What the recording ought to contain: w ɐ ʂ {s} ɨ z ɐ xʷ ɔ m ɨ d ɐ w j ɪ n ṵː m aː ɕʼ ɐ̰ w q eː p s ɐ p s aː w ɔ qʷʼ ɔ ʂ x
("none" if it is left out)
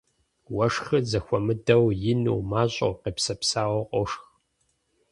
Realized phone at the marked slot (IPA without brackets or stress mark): x